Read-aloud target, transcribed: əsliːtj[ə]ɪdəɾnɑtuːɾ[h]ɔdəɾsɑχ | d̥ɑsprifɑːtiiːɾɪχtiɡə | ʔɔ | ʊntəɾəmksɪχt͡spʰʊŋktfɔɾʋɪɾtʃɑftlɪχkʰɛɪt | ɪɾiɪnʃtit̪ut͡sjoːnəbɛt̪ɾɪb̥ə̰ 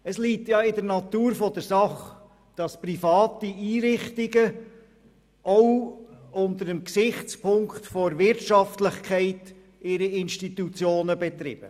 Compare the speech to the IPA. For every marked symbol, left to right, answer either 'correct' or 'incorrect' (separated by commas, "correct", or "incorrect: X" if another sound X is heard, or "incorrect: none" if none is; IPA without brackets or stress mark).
incorrect: ɑ, incorrect: f